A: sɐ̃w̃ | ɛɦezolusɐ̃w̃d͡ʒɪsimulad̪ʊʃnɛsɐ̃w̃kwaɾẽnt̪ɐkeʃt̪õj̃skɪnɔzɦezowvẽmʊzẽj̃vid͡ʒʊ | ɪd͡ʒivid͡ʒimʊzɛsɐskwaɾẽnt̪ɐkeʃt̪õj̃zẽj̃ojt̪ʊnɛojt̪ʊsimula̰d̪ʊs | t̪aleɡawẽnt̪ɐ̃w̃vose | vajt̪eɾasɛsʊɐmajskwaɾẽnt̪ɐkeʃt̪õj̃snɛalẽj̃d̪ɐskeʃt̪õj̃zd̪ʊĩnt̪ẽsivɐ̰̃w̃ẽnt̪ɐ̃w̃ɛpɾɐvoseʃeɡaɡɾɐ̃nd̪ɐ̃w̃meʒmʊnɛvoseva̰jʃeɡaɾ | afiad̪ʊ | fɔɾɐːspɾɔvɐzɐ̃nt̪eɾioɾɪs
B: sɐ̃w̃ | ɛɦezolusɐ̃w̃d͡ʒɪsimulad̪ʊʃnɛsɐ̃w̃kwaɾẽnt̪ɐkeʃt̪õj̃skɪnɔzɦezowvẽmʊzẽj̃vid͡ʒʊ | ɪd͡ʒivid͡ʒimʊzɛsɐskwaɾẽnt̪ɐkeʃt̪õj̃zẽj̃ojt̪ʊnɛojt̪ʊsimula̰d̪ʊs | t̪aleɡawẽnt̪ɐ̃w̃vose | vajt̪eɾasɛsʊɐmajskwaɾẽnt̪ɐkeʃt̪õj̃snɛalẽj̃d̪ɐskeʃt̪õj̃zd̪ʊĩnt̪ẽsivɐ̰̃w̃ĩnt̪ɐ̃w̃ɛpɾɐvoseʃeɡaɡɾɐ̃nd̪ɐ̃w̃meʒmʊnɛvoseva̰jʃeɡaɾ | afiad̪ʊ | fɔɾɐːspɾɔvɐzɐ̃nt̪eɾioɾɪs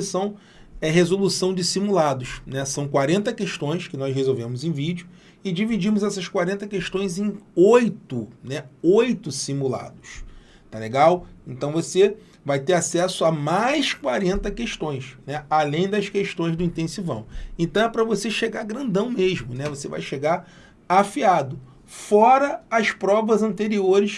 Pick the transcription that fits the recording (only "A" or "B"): A